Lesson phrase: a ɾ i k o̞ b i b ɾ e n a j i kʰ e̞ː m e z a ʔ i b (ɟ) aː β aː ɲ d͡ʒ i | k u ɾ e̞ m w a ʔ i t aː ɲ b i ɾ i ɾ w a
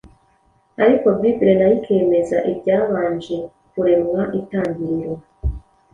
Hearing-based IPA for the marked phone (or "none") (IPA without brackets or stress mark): ɟ